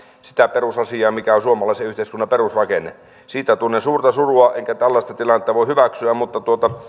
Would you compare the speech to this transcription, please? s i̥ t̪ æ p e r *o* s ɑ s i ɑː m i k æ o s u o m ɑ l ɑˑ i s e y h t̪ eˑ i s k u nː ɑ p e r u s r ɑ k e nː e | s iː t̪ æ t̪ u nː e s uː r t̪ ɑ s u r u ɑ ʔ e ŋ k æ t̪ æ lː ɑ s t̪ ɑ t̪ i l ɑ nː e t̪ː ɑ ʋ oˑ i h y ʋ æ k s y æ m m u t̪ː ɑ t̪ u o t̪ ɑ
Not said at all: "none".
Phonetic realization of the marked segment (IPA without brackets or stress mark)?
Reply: u